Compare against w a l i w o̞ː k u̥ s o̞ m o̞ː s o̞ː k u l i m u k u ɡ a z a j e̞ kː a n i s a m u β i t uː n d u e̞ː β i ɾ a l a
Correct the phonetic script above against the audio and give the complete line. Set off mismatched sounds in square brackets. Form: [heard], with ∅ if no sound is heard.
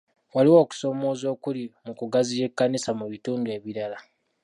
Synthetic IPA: w a l i w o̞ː k u̥ s o̞ m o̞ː [z] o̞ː k u l i m u k u ɡ a z [i] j e̞ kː a n i s a m u β i t uː n d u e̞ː β i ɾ a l a